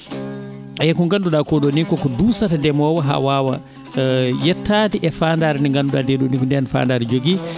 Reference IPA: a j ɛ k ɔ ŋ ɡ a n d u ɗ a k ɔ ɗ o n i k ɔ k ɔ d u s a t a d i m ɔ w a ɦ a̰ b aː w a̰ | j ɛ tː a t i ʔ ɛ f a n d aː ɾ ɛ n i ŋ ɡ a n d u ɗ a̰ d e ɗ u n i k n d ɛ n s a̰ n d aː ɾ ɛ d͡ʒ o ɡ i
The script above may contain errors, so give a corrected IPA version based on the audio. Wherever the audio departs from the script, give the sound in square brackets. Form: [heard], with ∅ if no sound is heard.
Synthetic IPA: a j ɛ k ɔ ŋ ɡ a n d u ɗ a k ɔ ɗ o n i k ɔ k ɔ d u s a t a d [ɛ] m ɔ w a ɦ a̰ [w] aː w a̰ | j ɛ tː a t i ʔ ɛ f a n d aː ɾ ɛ n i ŋ ɡ a n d u ɗ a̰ d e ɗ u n i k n d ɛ n [f] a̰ n d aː ɾ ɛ d͡ʒ o ɡ i

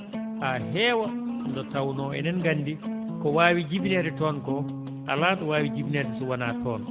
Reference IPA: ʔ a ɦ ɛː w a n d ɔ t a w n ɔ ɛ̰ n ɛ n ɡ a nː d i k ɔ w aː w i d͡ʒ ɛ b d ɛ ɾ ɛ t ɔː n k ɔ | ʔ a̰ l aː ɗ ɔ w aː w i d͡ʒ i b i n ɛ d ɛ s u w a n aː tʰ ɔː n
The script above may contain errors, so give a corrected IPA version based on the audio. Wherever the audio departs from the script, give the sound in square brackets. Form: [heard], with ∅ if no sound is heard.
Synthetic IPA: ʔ a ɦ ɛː w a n d ɔ t a w n ɔ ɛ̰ n ɛ n ɡ a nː d i k ɔ w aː w i d͡ʒ [i] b [n] ɛ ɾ ɛ t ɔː n k ɔ | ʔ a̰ l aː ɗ ɔ w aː w i d͡ʒ i b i n ɛ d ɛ s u w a n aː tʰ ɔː n

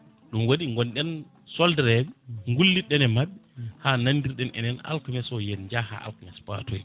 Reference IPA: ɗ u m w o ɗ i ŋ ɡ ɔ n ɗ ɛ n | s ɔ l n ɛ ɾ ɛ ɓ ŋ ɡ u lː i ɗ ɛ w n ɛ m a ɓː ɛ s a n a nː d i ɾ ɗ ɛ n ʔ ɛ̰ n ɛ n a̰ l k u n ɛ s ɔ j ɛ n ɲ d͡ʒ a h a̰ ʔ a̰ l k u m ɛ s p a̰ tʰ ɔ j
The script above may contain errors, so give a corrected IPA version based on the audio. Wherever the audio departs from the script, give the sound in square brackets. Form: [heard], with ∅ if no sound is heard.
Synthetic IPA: ɗ u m w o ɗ i ŋ ɡ ɔ n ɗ ɛ n | s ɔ l [d] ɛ ɾ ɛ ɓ ŋ ɡ u lː i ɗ ɛ [∅] n ɛ m a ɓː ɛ [h] a n a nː d i ɾ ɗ ɛ n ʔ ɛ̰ n ɛ n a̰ l k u [m] ɛ s ɔ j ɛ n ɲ d͡ʒ a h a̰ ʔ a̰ l k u m ɛ s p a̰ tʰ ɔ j

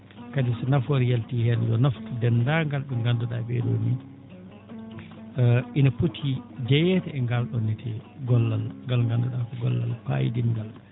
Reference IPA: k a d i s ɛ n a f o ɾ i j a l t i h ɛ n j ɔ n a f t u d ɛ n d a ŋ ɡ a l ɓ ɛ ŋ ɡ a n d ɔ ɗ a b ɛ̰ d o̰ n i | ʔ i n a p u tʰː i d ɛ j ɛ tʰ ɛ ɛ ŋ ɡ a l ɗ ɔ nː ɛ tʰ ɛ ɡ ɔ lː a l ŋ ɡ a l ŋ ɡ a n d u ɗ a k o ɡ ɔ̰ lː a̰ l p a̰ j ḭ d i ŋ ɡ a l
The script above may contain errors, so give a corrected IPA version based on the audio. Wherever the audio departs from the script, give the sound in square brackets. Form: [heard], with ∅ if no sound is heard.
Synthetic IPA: k a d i s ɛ n a f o ɾ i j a l t i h ɛ n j ɔ n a f t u d ɛ n d a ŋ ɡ a l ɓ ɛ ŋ ɡ a n d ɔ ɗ a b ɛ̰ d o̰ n i | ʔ i n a p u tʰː i [d͡ʒ] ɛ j ɛ [t] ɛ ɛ ŋ ɡ a l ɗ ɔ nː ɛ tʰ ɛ ɡ ɔ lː a l ŋ ɡ a l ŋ ɡ a n d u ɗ a k [ɔ] ɡ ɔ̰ lː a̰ l p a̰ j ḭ d i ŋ ɡ a l

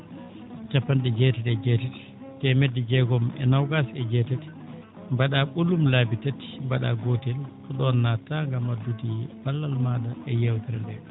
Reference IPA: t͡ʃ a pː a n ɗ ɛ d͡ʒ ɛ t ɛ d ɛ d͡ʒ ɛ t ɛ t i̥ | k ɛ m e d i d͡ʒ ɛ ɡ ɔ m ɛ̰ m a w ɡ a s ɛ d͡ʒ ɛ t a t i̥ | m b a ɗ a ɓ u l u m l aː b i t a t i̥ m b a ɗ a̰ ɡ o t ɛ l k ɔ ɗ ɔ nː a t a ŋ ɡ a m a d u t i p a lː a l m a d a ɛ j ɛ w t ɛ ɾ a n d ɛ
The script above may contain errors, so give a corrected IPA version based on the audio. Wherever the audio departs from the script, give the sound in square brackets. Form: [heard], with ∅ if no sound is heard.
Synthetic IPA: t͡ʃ a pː a n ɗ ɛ d͡ʒ ɛ t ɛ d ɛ d͡ʒ ɛ t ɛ t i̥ | [t] ɛ m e d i d͡ʒ ɛ ɡ ɔ m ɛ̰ [n] a w ɡ a s ɛ d͡ʒ ɛ t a t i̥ | m b a ɗ a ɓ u l u m l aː b i t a t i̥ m b a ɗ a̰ ɡ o t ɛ l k ɔ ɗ ɔ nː a t a ŋ ɡ a m a d u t i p a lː a l m a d a ɛ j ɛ w t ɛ ɾ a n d ɛ

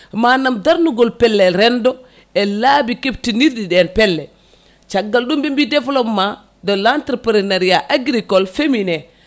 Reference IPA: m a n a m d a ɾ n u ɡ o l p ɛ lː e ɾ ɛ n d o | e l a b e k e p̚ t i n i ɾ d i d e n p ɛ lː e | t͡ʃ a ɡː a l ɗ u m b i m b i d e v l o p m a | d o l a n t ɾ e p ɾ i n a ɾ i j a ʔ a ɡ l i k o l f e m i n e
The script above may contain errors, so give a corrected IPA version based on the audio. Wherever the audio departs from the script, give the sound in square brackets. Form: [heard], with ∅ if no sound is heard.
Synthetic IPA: m a n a m d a ɾ n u ɡ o l p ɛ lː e ɾ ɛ n d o | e l a b [i] k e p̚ t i n i ɾ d i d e n p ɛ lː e | t͡ʃ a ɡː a l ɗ u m b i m b i d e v l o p m a | d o l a n t ɾ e p ɾ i n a ɾ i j a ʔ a ɡ [ɾ] i k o l f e m i n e

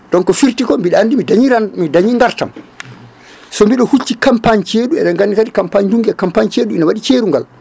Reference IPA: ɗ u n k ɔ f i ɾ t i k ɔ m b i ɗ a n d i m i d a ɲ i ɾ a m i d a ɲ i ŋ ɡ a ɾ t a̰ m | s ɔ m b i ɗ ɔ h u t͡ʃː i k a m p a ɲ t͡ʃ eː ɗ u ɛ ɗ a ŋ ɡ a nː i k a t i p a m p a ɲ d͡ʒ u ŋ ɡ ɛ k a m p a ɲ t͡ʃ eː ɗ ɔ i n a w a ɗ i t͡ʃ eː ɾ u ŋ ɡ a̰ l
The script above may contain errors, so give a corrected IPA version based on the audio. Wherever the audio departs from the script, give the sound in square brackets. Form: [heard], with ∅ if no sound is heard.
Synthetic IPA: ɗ [ɔ] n k ɔ f i ɾ t i k ɔ m b i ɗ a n d i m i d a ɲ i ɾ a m i d a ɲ i ŋ ɡ a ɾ t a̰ m | s ɔ m b i ɗ ɔ h u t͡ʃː i k a m p a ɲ t͡ʃ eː ɗ u ɛ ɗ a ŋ ɡ a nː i k a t i [k] a m p a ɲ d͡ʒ u ŋ ɡ ɛ k a m p a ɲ t͡ʃ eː ɗ [u] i n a w a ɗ i t͡ʃ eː ɾ u ŋ ɡ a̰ l

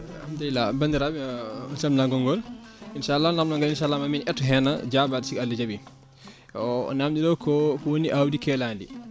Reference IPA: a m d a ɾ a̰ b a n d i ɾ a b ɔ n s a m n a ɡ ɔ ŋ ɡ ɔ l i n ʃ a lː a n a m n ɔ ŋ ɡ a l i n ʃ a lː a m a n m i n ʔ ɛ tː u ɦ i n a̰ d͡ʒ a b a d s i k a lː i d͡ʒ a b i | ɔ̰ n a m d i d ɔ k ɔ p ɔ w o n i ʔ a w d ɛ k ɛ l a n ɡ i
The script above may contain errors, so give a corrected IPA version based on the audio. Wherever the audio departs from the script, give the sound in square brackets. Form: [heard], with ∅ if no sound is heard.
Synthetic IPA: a m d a [l] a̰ b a n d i ɾ a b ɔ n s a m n a ɡ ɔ ŋ ɡ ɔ l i n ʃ a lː a n a m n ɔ ŋ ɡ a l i n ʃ a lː a m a [∅] m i n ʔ ɛ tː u ɦ [ɛ] n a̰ d͡ʒ a b a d s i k a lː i d͡ʒ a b i | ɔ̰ n a m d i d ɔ k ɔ [k] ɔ w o n i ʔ a w d [i] k ɛ l a n [d] i

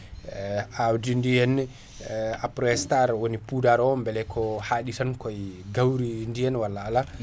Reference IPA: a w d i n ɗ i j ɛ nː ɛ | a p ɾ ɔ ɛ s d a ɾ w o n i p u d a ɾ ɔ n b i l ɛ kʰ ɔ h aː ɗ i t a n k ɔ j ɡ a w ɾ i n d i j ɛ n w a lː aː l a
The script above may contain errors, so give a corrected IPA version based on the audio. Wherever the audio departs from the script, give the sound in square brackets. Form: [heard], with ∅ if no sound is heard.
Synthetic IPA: a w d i n [d] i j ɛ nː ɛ | a p ɾ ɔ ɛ s [t] a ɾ w o n i p u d a ɾ ɔ [m] b [ɛ] l ɛ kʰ ɔ h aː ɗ i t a n k ɔ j ɡ a w ɾ i n d i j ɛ n w a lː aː l a

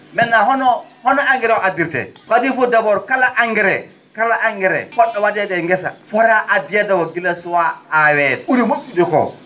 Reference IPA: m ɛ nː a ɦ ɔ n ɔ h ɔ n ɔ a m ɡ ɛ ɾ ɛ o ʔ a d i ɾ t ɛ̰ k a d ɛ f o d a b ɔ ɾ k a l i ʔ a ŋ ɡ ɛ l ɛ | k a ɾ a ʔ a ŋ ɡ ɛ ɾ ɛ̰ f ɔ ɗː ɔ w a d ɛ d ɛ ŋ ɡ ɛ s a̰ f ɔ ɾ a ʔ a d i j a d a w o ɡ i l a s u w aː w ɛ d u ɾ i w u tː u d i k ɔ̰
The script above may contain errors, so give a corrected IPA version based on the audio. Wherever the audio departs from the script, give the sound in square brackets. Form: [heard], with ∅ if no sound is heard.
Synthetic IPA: m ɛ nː a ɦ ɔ n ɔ h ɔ n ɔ a [ŋ] ɡ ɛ ɾ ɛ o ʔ a d i ɾ t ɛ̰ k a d [i] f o d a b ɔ ɾ k a l [a] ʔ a ŋ ɡ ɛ [ɾ] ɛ | k a [l] a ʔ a ŋ ɡ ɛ ɾ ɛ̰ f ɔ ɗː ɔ w a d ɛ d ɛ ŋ ɡ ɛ s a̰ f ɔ ɾ a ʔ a d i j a d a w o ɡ i l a s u w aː w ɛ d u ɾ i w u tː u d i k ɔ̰

